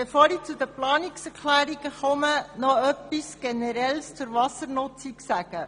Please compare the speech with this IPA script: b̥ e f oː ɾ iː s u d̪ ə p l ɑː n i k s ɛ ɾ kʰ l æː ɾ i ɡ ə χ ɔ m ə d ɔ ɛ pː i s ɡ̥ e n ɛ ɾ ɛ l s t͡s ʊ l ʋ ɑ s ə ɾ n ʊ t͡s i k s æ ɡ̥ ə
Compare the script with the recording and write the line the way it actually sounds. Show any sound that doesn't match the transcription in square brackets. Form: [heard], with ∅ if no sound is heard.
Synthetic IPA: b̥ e f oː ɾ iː [t͡s] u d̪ ə p l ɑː n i k s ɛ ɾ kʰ l æː ɾ i ɡ ə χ ɔ m ə [n] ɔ [œ] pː i s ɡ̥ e n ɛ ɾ ɛ l s t͡s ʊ [ɾ] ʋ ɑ s ə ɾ n ʊ t͡s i k s æ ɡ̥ ə